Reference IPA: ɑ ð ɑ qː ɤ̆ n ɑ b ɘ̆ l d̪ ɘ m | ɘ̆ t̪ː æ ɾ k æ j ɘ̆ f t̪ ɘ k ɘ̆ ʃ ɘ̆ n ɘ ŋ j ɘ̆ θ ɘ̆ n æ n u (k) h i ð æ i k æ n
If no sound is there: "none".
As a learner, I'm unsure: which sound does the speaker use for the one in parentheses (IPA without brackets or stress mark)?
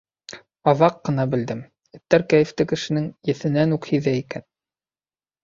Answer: k